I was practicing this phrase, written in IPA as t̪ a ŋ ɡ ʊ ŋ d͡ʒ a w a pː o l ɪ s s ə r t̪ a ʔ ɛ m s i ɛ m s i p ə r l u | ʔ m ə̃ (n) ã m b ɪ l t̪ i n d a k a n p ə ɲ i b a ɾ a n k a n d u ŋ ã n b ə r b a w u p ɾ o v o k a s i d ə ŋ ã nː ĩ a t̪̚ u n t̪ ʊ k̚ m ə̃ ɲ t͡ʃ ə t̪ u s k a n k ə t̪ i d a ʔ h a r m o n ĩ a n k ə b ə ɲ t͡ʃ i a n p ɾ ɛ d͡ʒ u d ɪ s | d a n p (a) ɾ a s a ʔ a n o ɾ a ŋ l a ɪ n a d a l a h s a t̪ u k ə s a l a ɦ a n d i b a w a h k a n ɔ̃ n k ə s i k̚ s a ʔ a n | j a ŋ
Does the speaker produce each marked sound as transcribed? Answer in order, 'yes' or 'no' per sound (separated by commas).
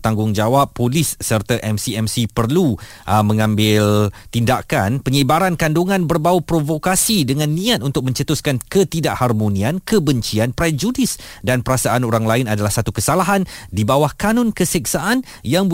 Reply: no, no